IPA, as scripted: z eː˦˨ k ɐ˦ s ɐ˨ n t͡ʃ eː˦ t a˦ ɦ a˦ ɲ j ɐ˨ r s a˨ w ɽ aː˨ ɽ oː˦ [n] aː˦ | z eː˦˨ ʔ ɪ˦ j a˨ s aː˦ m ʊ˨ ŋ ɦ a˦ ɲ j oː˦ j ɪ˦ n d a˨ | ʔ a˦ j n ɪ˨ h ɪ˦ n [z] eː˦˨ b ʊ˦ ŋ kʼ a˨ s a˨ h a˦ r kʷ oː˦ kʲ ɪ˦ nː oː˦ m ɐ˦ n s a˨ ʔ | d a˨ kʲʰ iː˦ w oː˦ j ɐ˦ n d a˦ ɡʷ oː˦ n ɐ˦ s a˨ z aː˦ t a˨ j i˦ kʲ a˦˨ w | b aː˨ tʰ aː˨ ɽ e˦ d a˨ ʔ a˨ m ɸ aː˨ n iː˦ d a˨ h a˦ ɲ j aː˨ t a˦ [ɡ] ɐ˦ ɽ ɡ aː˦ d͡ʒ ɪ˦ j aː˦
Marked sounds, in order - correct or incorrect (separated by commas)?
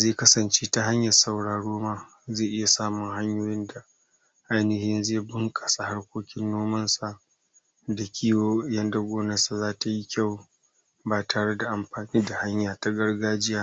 incorrect, correct, correct